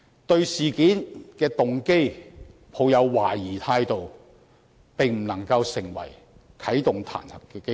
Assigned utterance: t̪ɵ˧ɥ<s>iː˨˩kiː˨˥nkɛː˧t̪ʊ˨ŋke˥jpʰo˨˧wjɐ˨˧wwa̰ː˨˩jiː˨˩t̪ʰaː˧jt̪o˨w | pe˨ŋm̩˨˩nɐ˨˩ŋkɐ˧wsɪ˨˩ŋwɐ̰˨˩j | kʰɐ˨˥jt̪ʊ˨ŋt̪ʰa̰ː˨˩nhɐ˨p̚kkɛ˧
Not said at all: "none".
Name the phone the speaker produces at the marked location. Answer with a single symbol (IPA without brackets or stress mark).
s